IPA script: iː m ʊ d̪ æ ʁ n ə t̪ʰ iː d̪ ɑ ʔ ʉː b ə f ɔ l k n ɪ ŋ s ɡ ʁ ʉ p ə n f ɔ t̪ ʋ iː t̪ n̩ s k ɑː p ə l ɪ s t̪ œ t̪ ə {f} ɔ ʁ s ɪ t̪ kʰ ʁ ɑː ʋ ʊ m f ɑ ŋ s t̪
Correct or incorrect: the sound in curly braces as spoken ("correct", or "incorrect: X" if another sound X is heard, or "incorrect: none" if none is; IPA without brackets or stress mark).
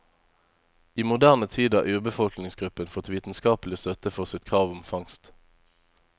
correct